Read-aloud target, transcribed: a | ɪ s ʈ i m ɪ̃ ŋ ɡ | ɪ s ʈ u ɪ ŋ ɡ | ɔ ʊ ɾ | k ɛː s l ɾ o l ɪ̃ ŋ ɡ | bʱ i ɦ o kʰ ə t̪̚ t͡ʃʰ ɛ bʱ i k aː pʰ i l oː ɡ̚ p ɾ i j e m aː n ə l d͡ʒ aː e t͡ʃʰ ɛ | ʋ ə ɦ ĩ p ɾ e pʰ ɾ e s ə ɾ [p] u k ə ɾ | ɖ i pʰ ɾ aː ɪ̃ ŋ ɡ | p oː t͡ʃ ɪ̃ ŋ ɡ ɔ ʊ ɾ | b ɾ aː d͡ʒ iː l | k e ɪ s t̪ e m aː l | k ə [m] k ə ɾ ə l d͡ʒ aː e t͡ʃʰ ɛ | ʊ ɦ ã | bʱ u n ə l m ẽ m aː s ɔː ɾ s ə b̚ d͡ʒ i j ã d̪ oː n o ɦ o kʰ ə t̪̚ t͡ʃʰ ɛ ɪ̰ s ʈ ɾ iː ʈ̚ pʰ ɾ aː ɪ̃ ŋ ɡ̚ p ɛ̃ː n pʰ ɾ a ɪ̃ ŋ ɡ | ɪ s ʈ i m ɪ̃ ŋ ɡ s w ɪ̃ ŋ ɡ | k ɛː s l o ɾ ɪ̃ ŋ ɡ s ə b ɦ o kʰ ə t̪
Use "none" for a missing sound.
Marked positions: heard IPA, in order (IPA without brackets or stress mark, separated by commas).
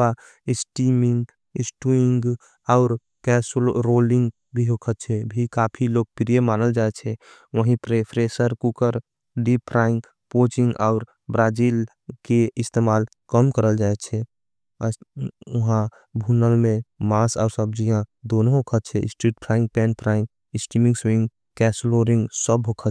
k, m